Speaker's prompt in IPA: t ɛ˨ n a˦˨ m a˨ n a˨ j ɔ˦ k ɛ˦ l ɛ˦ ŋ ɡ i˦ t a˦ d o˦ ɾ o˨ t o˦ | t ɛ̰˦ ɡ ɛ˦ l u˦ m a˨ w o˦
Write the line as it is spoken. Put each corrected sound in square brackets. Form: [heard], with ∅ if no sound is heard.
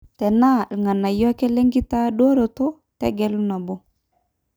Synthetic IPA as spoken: t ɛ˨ n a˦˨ [ŋ] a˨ n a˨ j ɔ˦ k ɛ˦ l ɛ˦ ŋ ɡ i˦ t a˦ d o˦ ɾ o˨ t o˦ | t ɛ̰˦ ɡ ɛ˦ l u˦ [n] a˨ [b] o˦